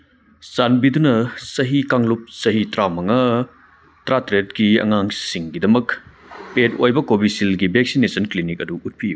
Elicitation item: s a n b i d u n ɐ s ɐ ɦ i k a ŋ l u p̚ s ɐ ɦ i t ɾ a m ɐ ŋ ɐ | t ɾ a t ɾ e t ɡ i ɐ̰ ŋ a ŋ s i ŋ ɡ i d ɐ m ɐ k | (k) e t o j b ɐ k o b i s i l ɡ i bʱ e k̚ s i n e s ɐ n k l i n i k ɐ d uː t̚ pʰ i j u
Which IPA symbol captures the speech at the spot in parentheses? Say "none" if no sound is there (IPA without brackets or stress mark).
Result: p